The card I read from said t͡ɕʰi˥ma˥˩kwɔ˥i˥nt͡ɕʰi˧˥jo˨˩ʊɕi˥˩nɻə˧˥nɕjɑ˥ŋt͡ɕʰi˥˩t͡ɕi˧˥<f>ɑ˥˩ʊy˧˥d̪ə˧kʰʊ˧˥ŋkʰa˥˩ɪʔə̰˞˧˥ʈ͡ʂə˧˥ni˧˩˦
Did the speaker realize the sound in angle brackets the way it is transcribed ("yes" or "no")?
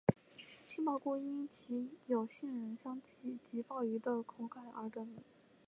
yes